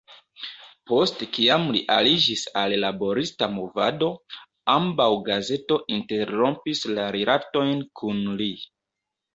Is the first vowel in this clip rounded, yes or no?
yes